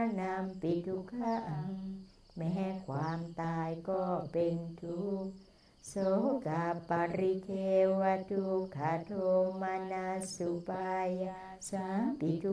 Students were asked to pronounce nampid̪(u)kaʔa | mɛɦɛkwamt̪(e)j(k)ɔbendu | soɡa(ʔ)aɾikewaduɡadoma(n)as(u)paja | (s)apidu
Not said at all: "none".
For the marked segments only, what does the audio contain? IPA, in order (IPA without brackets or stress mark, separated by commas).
u, a, k, p, n, u, s